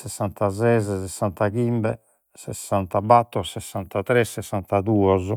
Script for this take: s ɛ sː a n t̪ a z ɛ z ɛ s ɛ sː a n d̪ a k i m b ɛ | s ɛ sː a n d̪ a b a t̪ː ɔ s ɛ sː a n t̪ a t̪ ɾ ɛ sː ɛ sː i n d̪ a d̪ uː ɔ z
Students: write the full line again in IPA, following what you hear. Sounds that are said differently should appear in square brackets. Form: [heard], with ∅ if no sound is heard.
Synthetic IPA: s ɛ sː a n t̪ a z ɛ z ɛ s ɛ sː a n [t̪] a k i m b ɛ | s ɛ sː a n [t̪] a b a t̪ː ɔ s ɛ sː a n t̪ a t̪ ɾ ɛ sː ɛ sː [a] n [t̪] a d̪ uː ɔ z